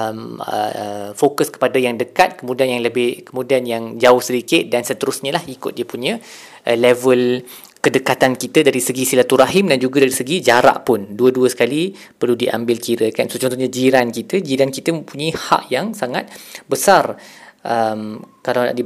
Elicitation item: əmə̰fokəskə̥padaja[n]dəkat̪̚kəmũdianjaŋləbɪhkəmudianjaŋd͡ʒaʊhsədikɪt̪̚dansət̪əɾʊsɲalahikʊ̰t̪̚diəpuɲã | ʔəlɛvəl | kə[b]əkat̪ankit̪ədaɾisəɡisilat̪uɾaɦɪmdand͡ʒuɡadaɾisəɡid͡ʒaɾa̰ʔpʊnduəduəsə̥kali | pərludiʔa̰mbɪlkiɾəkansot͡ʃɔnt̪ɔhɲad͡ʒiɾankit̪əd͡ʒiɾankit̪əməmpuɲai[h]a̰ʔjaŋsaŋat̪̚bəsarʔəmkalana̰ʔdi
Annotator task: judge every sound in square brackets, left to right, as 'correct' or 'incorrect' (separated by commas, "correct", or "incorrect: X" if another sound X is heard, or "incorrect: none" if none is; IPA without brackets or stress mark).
incorrect: ŋ, incorrect: d, correct